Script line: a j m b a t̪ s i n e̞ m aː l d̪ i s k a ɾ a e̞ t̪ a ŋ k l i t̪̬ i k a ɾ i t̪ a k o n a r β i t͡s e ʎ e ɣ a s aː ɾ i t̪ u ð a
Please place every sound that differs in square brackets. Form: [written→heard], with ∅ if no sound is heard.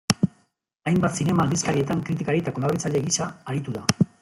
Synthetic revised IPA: a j m b a t̪ s i n e̞ m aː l d̪ i s k a ɾ [a→i] e̞ t̪ a ŋ k [l→ɾ] i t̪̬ i k a ɾ i t̪ a k o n a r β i t͡s [e→a] ʎ e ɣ [a→i] s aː ɾ i t̪ u ð a